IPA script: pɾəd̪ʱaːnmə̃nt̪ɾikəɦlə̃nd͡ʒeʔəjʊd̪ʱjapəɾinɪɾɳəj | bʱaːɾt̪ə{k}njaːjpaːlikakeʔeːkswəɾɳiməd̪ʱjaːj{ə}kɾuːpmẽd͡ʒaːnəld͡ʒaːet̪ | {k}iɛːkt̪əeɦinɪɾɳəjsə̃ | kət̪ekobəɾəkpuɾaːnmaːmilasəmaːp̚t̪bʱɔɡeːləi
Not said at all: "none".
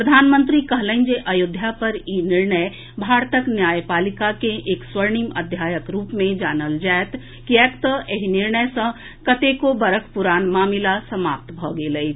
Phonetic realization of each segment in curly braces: k, ə, k

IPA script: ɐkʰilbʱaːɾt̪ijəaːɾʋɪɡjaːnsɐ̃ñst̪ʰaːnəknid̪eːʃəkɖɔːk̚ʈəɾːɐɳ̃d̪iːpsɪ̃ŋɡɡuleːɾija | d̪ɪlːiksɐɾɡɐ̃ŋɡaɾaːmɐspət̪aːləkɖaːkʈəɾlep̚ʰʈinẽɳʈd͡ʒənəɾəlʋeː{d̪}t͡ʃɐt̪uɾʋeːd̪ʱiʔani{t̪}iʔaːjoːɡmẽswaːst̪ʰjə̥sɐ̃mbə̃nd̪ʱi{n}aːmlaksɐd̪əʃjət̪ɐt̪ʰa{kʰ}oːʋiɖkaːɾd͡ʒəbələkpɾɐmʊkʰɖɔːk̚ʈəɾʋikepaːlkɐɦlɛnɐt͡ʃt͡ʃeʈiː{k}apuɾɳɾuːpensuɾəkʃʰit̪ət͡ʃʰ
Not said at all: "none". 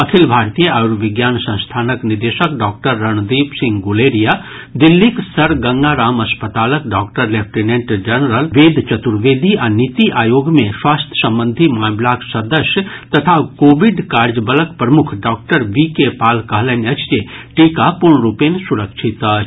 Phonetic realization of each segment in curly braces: d̪, t̪, m, k, k

